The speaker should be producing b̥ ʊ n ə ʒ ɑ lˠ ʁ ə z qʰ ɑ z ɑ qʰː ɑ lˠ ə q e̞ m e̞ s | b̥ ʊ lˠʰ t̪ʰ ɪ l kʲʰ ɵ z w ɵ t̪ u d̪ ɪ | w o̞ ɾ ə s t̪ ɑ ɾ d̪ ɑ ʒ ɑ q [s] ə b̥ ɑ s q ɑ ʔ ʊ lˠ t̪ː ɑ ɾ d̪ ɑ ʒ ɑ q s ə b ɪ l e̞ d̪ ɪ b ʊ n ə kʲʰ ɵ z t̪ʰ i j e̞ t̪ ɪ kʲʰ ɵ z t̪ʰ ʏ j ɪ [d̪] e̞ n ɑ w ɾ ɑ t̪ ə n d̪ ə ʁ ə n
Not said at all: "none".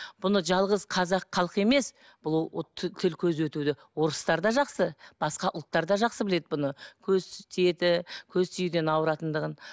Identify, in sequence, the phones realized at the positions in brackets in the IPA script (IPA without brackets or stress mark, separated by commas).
s, d̪